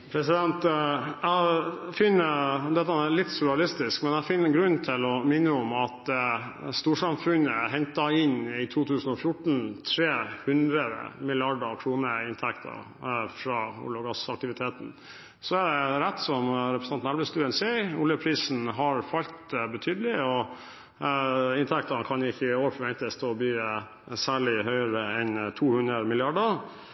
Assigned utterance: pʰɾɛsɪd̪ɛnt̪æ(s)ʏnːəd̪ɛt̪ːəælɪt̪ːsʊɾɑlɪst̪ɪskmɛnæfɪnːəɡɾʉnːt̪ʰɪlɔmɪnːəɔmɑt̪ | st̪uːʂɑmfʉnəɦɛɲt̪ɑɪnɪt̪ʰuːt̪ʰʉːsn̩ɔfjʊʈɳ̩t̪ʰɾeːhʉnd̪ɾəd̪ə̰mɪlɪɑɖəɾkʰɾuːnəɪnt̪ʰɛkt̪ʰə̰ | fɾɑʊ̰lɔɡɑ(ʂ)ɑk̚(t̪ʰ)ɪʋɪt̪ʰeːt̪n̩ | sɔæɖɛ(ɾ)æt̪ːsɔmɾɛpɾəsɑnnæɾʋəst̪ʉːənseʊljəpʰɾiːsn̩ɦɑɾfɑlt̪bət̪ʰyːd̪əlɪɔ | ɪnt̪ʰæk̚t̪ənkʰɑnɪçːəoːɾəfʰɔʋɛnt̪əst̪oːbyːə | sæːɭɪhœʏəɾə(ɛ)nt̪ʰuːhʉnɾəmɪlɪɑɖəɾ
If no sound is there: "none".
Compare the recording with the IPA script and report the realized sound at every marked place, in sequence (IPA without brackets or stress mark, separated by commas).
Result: f, s, t̪, ɾ, ɛ